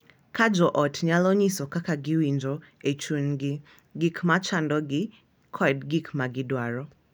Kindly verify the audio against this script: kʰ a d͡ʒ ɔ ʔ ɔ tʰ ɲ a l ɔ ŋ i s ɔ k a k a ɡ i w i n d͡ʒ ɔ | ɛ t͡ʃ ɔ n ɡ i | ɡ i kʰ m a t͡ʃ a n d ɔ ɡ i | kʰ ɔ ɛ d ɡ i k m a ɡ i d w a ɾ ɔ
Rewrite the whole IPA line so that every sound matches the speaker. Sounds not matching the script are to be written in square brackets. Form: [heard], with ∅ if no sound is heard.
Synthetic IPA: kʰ a d͡ʒ ɔ ʔ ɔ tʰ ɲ a l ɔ [ɲ] i s ɔ k a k a ɡ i w i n d͡ʒ ɔ | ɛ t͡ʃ [u] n ɡ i | ɡ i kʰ m a t͡ʃ a n d ɔ ɡ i | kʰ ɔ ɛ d ɡ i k m a ɡ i d w a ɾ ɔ